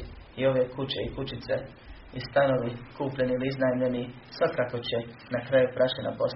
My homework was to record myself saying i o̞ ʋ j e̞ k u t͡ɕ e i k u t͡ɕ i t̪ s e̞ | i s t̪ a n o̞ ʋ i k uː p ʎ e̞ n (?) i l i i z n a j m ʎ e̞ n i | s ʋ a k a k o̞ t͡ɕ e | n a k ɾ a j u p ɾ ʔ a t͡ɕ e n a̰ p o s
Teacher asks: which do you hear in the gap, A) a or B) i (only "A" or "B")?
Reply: B